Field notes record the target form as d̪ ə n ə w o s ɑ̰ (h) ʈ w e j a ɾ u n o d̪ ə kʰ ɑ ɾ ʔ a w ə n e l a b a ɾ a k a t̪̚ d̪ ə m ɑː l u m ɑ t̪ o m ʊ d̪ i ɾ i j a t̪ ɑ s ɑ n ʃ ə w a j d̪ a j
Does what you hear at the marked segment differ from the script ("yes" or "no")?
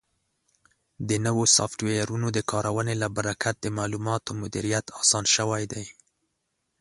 yes